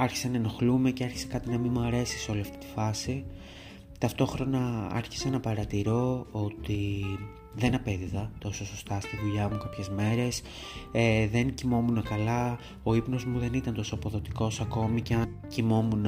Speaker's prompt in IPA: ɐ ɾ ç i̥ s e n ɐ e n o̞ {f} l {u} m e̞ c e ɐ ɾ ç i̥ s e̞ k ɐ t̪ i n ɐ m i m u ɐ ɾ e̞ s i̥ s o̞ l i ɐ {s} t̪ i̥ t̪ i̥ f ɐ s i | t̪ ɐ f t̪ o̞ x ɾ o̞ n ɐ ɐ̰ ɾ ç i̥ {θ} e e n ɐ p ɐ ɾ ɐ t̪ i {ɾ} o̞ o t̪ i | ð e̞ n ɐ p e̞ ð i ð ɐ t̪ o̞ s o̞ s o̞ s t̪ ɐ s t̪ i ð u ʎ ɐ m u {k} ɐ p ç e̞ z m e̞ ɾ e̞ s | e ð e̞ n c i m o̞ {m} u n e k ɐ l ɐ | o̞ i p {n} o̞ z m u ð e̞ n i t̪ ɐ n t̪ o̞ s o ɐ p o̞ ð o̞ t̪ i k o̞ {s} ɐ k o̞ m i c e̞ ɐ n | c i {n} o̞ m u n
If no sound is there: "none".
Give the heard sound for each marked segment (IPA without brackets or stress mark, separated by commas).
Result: x, u, f, s, ɾ, k, m, n, s, m